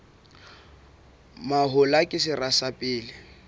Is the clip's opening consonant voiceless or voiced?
voiced